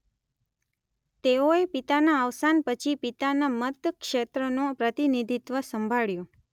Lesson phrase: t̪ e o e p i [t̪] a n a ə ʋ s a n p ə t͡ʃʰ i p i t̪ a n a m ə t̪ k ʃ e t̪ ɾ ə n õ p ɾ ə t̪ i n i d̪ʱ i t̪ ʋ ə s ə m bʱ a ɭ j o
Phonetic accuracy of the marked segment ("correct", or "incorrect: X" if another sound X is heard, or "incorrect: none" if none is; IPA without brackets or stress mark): correct